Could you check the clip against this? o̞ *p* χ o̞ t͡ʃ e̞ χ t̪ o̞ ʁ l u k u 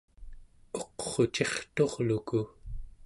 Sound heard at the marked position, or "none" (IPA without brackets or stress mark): q